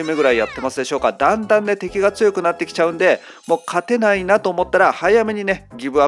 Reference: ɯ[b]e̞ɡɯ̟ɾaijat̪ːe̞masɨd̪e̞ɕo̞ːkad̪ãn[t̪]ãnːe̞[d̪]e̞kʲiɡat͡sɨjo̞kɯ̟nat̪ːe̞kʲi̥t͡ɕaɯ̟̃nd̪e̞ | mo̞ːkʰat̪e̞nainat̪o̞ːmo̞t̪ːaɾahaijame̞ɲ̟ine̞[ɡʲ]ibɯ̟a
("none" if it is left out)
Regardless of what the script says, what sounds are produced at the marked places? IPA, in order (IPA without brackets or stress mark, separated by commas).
m, d̪, t̪, ɡʲ